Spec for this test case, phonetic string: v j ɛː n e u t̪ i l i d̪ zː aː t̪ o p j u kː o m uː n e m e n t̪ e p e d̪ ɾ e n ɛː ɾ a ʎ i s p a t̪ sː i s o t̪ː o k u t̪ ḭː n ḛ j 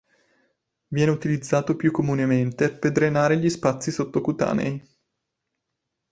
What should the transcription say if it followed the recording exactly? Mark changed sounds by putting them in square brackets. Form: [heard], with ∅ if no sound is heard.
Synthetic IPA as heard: v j ɛː n e u t̪ i l i d̪ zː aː t̪ o p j u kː o m [u] n e m e n t̪ e p e d̪ ɾ e n [aː] ɾ [e] ʎ i s p a t̪ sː i s o t̪ː o k u t̪ [a̰ː] n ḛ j